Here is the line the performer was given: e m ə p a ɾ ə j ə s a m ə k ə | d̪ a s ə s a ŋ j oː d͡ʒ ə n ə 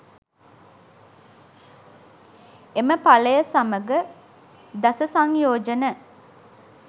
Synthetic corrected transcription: e m ə p a l ə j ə s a m ə ɡ ə | d̪ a s ə s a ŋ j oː d͡ʒ ə n ə